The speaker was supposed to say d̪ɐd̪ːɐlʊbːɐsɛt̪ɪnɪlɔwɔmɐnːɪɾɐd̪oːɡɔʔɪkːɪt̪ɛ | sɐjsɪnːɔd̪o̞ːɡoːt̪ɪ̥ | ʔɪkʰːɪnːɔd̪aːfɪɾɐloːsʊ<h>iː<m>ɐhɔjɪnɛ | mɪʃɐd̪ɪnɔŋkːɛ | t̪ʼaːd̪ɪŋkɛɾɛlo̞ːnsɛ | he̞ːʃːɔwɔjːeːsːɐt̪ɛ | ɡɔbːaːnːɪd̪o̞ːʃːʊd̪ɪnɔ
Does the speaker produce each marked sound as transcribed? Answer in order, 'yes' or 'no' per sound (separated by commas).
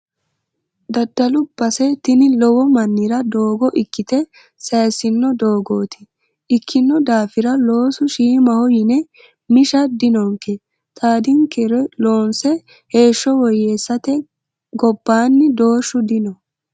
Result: no, yes